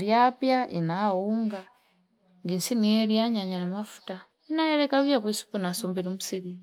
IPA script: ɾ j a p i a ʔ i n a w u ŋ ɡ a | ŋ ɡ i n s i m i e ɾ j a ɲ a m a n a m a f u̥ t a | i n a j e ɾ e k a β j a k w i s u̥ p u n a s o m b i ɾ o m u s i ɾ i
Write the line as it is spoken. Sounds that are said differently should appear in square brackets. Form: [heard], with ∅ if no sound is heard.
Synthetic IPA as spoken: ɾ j a p [j] a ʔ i n a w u ŋ ɡ a | ŋ ɡ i n s i [n] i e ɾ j a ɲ a [ɲ] a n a m a f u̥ t a | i n a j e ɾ e k a β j a k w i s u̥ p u n a s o m b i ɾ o m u s i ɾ i